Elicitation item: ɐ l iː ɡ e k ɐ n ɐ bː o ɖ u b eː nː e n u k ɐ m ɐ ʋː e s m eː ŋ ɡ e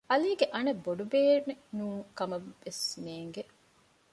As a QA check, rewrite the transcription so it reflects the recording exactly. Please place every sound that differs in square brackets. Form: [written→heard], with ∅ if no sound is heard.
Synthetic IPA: ɐ l iː ɡ e [k→ʔ] ɐ n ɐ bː o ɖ u b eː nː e n [u→uː] k ɐ m ɐ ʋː e s [m→n] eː ŋ ɡ e

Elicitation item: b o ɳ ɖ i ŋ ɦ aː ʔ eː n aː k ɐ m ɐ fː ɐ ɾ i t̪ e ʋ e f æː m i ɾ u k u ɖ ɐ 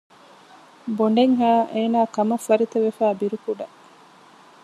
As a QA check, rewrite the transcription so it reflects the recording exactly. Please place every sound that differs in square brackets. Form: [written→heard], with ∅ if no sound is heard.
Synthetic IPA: b o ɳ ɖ [i→e] ŋ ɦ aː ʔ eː n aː k ɐ m ɐ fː ɐ ɾ i t̪ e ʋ e f æː [m→b] i ɾ u k u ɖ ɐ

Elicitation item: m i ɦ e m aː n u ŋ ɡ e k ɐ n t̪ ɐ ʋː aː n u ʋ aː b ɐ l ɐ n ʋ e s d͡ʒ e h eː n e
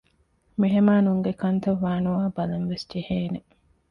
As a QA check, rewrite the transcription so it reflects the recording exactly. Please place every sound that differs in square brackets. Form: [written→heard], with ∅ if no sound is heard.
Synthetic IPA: m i ɦ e m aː n u ŋ ɡ e k ɐ n t̪ ɐ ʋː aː n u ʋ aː b ɐ l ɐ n ʋ e s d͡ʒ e h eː n e

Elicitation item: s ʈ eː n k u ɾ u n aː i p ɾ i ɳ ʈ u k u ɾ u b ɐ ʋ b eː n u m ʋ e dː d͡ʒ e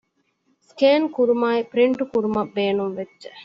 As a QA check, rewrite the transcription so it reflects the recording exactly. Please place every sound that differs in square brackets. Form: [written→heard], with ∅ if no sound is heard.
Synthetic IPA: s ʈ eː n k u ɾ u [n→m] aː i p ɾ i ɳ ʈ u k u ɾ u [b→m] ɐ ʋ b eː n u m ʋ e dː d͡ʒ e

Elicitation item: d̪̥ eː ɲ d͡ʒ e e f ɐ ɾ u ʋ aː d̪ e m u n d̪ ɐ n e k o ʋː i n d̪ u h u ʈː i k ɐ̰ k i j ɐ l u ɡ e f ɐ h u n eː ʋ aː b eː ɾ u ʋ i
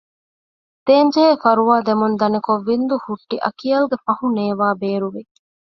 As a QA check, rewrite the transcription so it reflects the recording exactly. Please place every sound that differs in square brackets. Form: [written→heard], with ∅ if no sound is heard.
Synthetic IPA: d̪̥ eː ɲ d͡ʒ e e f ɐ ɾ u ʋ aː d̪ e m u n d̪ ɐ n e k o ʋː i n d̪ u h u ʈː i [k→ʔ] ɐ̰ k i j ɐ l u ɡ e f ɐ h u n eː ʋ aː b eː ɾ u ʋ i

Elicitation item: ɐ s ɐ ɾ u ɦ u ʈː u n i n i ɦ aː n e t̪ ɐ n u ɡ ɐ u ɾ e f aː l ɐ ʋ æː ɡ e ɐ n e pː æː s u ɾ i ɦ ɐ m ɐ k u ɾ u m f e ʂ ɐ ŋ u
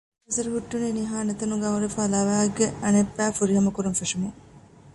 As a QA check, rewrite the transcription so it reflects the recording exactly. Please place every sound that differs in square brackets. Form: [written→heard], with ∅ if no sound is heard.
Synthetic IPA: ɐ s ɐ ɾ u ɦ u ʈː u n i n i ɦ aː n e t̪ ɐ n u ɡ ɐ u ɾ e f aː l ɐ ʋ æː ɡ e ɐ n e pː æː [s→f] u ɾ i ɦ ɐ m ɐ k u ɾ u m f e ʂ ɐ [ŋ→m] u

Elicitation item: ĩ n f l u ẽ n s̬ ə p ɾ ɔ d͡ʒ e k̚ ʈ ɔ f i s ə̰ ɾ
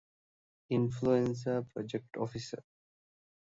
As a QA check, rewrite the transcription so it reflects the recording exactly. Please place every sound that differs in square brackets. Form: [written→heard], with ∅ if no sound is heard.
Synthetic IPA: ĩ n f l u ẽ n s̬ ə p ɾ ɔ d͡ʒ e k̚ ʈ ɔ f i s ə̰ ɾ

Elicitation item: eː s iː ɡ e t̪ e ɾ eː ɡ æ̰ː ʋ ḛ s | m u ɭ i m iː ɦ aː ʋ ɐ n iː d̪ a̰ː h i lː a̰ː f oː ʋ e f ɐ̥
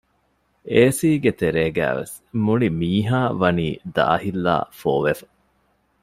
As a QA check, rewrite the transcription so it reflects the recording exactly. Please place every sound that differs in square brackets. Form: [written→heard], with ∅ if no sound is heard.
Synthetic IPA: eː s iː ɡ e t̪ e ɾ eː ɡ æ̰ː ʋ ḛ s | m u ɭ i m iː ɦ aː ʋ ɐ n iː d̪ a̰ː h i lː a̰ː f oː ʋ e f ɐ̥

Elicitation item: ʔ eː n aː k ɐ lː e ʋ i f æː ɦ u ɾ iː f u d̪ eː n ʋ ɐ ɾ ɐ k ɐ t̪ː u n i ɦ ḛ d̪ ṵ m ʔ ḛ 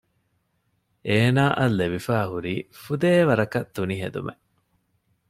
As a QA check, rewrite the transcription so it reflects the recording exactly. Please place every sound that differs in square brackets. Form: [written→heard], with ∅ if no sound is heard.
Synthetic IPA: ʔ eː n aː [k→ʔ] ɐ lː e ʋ i f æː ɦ u ɾ iː f u d̪ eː [n→∅] ʋ ɐ ɾ ɐ k ɐ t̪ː u n i ɦ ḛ d̪ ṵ m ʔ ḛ

